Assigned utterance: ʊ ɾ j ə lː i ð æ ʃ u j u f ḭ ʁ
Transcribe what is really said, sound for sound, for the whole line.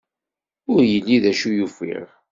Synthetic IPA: ʊ ɾ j ə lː i ð æ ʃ u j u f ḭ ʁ